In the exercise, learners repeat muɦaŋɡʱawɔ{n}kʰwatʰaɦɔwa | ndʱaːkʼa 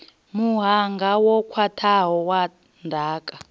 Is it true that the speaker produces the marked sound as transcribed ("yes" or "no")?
no